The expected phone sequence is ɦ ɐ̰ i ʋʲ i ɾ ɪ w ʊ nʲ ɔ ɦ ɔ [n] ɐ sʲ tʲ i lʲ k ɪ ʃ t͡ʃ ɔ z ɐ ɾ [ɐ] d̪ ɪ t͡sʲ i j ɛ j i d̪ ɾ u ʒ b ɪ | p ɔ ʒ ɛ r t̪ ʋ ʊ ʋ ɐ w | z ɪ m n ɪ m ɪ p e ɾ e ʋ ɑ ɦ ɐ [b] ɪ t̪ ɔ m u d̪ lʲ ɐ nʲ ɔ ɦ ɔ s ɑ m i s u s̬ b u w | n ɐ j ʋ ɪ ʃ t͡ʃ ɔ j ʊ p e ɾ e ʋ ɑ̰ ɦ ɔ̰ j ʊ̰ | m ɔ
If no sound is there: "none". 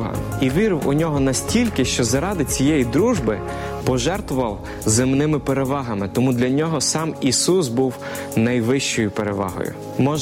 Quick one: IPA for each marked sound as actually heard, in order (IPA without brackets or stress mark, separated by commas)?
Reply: n, ɑ, m